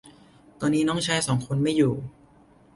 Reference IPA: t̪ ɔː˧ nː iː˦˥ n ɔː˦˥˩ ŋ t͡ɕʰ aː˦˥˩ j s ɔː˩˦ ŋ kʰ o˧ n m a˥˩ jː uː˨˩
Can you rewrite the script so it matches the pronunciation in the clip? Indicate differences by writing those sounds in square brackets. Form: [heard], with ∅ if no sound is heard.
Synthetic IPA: t̪ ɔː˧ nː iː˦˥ n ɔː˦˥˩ ŋ t͡ɕʰ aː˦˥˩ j s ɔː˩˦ ŋ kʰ o˧ n m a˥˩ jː uː˨˩